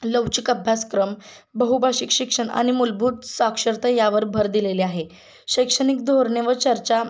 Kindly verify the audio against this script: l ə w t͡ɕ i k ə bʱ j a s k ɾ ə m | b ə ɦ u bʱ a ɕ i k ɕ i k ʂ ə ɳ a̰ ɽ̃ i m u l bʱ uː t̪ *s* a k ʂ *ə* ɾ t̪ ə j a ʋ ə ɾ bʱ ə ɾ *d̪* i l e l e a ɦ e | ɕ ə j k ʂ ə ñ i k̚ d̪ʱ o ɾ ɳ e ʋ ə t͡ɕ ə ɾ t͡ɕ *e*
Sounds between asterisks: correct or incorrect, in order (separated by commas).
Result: correct, correct, correct, incorrect